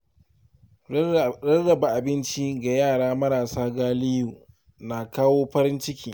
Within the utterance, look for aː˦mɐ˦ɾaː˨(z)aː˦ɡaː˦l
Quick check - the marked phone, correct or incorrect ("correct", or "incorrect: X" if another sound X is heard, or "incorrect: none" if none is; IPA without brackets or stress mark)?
incorrect: s